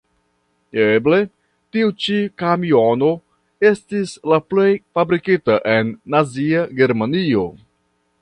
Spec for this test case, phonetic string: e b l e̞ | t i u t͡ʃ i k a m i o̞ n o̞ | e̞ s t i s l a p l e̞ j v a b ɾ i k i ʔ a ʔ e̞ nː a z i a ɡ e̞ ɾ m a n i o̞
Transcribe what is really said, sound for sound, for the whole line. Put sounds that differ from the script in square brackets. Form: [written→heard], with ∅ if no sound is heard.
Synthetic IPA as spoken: e b l e̞ | t i u t͡ʃ i k a m i o̞ n o̞ | e̞ s t i s l a p l e̞ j [v→f] a b ɾ i k i [ʔ→t] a ʔ e̞ nː a z i a ɡ e̞ ɾ m a n i o̞